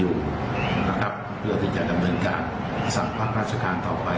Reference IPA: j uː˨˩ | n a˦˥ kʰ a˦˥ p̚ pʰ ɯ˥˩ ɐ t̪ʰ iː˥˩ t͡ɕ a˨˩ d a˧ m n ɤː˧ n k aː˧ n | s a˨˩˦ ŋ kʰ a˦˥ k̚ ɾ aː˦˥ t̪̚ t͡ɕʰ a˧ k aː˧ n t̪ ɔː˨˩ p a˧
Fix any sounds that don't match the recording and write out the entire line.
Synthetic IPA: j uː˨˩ | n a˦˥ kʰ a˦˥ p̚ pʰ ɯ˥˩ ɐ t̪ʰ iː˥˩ t͡ɕ a˨˩ d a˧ m n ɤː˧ n k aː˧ n | s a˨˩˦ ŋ pʰ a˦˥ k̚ ɾ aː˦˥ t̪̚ t͡ɕʰ a˧ k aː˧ n t̪ ɔː˨˩ p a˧